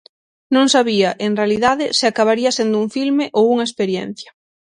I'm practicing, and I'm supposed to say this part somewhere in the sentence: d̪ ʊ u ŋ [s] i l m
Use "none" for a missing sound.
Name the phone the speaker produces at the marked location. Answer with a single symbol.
f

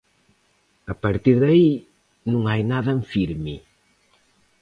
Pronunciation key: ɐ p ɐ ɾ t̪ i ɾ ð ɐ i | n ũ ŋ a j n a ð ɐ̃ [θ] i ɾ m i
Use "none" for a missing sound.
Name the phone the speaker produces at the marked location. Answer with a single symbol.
f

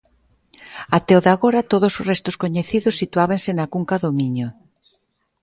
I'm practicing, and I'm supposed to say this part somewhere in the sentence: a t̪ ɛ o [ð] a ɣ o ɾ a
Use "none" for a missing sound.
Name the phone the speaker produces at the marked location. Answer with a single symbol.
ð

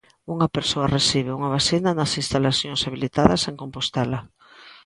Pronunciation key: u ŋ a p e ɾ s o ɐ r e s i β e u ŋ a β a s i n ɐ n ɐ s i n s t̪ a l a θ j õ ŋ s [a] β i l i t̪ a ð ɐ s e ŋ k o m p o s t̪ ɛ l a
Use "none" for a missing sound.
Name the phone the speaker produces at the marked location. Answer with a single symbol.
a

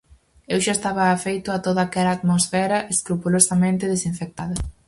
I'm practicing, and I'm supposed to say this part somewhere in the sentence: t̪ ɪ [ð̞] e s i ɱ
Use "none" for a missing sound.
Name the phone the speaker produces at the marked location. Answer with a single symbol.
ð̞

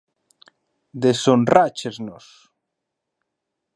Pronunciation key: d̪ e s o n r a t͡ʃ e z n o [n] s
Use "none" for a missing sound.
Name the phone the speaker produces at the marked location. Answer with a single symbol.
none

